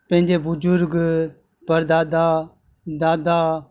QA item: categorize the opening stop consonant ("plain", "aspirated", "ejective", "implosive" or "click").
plain